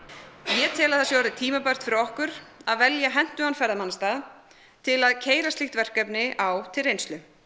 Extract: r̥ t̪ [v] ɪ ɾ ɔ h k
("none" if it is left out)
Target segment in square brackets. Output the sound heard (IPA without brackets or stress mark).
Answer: f